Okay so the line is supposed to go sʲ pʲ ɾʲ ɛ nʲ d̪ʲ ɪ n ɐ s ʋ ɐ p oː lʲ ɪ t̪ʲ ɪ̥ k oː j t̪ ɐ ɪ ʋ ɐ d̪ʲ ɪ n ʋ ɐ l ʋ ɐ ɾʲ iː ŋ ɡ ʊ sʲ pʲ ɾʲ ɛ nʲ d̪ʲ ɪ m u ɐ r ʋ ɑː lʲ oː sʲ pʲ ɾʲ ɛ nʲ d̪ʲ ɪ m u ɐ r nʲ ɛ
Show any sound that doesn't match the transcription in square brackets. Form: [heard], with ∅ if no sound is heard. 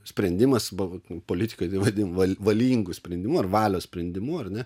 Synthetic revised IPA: sʲ pʲ ɾʲ ɛ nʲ d̪ʲ ɪ [m] ɐ s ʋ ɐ p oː lʲ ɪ t̪ʲ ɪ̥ k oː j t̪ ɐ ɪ ʋ ɐ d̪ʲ ɪ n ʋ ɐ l ʋ ɐ [lʲ] iː ŋ ɡ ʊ sʲ pʲ ɾʲ ɛ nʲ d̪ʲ ɪ m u ɐ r ʋ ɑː lʲ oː sʲ pʲ ɾʲ ɛ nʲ d̪ʲ ɪ m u ɐ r nʲ ɛ